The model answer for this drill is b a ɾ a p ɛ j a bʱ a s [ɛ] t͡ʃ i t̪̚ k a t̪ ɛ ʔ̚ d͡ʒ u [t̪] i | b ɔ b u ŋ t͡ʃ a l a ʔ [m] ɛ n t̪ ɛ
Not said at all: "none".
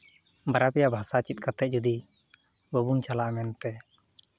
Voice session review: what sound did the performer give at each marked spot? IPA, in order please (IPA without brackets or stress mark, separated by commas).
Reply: a, d̪, m